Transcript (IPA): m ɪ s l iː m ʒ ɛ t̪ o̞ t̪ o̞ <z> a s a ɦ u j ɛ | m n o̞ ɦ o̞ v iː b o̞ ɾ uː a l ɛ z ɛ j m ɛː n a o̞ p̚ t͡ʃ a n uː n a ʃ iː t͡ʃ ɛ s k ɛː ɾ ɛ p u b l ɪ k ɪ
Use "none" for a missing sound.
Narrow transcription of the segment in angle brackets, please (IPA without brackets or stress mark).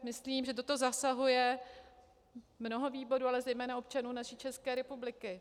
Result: z